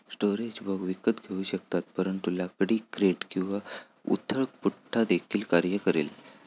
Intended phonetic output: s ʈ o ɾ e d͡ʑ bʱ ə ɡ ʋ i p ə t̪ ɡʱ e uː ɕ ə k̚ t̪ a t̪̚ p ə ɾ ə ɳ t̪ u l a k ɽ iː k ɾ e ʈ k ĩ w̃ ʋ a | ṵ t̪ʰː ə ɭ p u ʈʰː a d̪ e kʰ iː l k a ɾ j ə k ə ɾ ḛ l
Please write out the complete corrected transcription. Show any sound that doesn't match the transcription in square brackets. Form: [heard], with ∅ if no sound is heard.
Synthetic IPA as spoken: s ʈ o ɾ e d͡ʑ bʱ ə ɡ ʋ i [k] ə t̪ ɡʱ e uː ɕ ə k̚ t̪ a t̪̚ p ə ɾ ə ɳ t̪ u l a k ɽ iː k ɾ e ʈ k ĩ w̃ ʋ a | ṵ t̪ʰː ə ɭ p u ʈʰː a d̪ e kʰ iː l k a ɾ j ə k ə ɾ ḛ l